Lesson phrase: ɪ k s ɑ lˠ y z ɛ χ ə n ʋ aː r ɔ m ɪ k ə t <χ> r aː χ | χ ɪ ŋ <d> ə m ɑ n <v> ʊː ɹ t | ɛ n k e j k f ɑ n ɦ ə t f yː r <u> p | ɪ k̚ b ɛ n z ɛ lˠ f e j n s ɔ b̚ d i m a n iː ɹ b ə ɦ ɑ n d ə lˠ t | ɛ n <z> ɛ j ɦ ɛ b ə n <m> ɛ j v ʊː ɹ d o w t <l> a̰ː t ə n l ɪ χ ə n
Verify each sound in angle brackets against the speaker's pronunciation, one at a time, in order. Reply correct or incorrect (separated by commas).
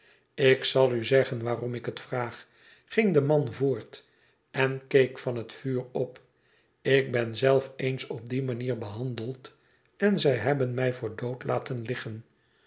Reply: incorrect, correct, correct, incorrect, correct, correct, correct